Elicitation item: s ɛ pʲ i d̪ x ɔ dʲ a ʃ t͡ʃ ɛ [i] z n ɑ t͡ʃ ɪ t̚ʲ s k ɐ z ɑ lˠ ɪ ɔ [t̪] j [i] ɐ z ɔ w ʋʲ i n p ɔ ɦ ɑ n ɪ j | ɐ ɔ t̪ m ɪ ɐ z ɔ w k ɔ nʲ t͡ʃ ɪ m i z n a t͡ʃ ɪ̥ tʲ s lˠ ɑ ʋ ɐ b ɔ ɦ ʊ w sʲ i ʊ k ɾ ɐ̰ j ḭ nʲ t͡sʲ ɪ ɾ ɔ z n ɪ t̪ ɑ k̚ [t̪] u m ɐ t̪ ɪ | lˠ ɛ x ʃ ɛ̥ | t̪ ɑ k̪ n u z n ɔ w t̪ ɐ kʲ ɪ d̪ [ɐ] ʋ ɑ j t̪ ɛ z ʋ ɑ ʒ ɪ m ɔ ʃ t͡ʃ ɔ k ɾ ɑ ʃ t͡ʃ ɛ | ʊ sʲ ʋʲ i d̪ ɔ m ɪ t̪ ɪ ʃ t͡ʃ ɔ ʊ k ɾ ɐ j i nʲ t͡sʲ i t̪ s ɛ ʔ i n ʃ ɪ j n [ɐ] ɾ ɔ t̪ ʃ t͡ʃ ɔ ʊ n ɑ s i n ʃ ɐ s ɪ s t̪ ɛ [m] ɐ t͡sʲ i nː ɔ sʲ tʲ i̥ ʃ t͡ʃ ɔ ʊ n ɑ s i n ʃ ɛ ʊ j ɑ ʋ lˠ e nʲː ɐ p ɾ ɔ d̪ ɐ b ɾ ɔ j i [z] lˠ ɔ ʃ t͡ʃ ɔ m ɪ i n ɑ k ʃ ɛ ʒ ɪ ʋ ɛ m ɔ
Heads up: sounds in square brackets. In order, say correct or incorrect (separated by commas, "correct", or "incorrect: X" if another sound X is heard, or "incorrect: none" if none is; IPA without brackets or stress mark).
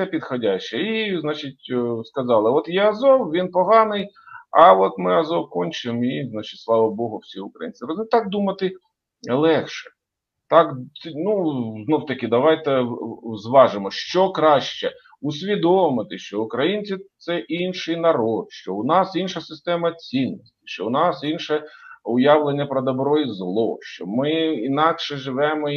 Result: correct, correct, incorrect: ɛ, incorrect: d̪, correct, correct, correct, correct